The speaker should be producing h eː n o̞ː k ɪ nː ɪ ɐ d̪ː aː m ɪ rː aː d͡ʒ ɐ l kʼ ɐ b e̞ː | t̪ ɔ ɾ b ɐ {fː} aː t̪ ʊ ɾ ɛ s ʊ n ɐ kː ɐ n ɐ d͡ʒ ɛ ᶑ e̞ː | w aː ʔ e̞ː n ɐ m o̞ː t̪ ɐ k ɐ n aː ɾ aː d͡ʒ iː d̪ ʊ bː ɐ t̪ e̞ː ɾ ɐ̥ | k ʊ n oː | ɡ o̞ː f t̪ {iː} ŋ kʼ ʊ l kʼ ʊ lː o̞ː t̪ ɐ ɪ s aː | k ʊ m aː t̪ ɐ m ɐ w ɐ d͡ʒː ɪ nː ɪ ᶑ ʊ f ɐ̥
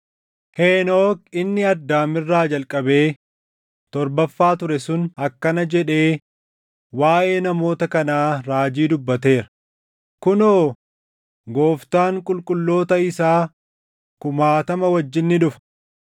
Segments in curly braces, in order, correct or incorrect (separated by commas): correct, incorrect